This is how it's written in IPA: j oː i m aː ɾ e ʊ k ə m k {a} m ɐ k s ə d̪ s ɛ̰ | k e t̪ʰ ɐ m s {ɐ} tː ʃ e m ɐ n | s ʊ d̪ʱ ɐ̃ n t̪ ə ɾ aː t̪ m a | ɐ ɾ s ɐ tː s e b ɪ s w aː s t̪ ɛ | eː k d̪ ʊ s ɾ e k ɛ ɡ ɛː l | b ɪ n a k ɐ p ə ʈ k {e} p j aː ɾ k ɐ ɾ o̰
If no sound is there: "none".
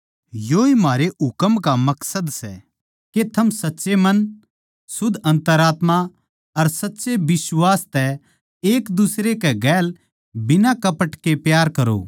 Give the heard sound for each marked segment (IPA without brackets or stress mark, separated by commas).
a, ɐ, e